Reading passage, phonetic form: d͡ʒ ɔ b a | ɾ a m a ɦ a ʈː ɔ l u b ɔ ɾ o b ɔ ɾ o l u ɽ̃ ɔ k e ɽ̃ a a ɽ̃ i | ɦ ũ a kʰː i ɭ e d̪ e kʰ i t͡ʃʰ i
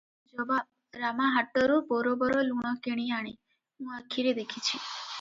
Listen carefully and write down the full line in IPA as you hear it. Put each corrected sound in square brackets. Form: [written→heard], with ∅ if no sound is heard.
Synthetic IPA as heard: d͡ʒ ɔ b a | ɾ a m a ɦ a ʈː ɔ [l→ɾ] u b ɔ ɾ o b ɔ ɾ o l u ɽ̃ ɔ k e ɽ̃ [a→i] a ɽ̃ i | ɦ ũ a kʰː i [ɭ→ɾ] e d̪ e kʰ i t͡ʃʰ i

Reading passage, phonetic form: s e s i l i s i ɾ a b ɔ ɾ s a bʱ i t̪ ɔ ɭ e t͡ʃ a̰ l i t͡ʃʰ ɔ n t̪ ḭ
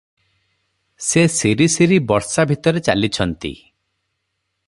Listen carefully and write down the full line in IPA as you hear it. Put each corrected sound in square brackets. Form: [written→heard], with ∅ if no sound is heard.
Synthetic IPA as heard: s e s i [l→ɾ] i s i ɾ [a→i] b ɔ ɾ s a bʱ i t̪ ɔ [ɭ→ɾ] e t͡ʃ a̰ l i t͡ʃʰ ɔ n t̪ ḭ

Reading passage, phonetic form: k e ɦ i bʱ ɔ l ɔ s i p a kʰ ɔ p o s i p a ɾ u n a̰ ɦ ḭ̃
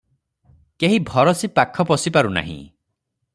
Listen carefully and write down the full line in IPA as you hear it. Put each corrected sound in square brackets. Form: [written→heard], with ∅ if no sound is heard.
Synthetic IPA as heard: k e ɦ i bʱ ɔ [l→ɾ] ɔ s i p a kʰ ɔ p [o→ɔ] s i p a ɾ u n a̰ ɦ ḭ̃

